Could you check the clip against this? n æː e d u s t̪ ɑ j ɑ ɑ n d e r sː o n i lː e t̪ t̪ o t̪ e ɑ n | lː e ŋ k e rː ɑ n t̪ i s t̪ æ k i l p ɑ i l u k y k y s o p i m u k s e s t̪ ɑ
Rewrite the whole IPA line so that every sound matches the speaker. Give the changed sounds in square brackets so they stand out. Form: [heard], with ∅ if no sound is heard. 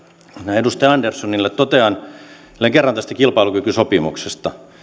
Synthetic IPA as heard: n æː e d u s t̪ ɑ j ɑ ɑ n d e r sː o n i lː e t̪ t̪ o t̪ e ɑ n | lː e ŋ k e rː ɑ n t̪ [æ] s t̪ æ k i l p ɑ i l u k y k y s o p i m u k s e s t̪ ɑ